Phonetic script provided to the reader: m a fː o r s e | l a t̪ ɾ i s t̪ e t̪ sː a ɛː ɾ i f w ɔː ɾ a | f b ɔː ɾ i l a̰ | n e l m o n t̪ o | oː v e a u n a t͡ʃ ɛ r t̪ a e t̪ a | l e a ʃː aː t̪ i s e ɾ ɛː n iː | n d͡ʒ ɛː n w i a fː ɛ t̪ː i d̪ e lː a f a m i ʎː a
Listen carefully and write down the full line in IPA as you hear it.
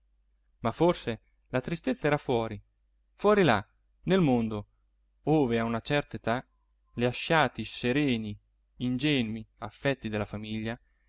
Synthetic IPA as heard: m a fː o r s e | l a t̪ ɾ i s t̪ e t̪ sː a ɛː ɾ a f w ɔː ɾ i | f w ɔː ɾ i l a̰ | n e l m o n d̪ o | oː v e a u n a t͡ʃ ɛ r t̪ a e t̪ a | l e a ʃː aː t̪ i s e ɾ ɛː n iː | n d͡ʒ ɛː n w i a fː ɛ t̪ː i d̪ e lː a f a m i ʎː a